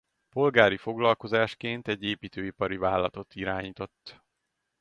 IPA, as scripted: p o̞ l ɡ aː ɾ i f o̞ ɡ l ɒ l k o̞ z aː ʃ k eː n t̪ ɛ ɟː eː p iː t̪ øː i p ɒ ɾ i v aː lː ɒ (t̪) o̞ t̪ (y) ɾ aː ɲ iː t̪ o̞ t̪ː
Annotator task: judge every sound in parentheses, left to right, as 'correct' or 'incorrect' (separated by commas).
correct, incorrect